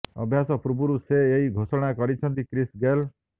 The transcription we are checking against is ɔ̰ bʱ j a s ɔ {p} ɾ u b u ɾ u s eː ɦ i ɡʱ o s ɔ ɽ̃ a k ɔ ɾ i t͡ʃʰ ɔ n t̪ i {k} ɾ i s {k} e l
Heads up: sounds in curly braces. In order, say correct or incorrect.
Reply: correct, correct, incorrect: ɡ

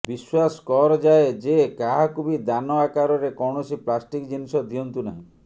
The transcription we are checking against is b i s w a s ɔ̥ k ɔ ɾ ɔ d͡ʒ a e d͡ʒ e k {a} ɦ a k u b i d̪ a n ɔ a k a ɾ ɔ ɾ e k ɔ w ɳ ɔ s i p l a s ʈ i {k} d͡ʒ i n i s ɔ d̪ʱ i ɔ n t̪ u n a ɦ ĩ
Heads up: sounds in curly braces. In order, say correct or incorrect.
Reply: correct, correct

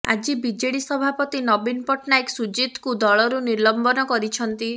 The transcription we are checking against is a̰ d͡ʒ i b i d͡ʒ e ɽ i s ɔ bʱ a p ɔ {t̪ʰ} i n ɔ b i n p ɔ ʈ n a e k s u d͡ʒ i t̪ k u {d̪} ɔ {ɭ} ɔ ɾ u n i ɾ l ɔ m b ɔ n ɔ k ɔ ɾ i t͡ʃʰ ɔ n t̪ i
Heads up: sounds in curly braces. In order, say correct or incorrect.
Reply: incorrect: t̪, correct, correct

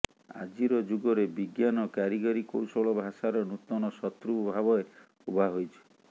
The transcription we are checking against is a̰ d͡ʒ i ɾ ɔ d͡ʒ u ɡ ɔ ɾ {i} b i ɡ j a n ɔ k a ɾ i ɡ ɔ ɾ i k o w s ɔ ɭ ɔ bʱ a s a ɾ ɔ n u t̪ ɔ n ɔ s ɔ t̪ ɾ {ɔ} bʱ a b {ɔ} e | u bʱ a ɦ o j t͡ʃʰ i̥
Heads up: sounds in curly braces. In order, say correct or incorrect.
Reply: incorrect: e, incorrect: u, correct

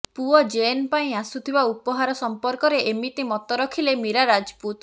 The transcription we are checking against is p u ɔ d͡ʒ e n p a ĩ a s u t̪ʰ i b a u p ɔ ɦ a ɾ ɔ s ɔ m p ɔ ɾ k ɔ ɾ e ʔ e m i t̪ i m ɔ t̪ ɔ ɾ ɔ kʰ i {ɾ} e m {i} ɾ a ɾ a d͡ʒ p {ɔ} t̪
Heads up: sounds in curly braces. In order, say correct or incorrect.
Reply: incorrect: l, correct, incorrect: u

